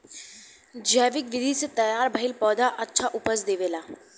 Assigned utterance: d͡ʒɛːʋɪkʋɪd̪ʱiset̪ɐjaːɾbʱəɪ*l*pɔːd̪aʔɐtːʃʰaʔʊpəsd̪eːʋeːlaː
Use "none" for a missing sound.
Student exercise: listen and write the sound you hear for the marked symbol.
l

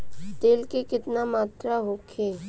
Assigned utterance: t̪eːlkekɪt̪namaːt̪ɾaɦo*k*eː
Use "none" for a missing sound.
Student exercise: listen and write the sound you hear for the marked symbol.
kʰ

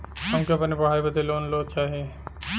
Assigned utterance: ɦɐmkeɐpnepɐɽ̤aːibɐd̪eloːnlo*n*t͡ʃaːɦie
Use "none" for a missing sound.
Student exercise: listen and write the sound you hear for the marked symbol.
none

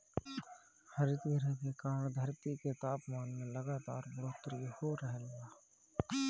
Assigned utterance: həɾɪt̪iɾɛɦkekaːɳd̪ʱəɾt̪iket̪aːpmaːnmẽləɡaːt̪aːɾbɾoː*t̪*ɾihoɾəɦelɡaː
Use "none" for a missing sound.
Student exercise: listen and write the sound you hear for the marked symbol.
t̪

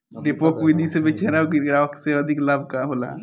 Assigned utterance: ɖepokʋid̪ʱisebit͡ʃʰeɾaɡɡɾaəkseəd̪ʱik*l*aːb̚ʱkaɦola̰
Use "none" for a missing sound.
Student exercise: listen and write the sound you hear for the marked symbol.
l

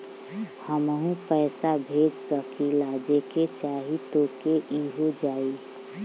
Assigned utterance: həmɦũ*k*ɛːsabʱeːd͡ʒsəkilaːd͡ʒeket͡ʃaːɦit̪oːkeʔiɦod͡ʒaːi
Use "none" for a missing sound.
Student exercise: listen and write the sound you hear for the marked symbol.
p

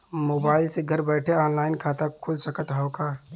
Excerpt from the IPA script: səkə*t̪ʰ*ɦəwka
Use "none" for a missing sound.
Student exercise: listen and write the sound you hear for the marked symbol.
t̪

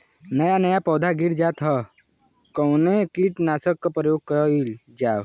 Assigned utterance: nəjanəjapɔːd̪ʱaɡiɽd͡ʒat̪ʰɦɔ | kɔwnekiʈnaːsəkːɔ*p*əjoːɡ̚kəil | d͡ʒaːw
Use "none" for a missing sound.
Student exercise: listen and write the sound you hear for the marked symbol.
p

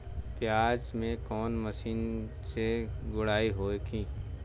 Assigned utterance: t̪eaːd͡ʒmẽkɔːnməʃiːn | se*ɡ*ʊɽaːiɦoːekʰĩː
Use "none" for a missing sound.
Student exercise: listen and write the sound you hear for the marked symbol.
ɡ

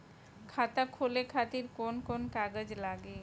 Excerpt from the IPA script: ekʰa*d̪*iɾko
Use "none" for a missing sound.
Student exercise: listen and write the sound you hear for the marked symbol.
t̪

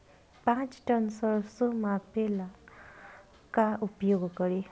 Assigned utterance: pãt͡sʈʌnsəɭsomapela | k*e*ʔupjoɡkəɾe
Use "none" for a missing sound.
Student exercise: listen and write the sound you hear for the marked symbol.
a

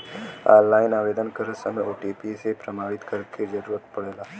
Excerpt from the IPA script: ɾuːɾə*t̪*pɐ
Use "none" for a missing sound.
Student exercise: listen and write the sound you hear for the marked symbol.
t̪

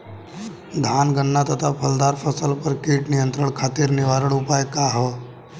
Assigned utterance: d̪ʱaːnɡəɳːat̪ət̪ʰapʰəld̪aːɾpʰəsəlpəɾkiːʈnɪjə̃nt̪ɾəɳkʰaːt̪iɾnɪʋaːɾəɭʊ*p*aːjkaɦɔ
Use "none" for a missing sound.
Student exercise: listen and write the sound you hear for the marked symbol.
p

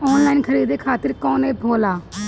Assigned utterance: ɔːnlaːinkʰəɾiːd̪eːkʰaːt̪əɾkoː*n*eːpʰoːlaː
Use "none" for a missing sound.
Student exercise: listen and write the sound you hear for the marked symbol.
n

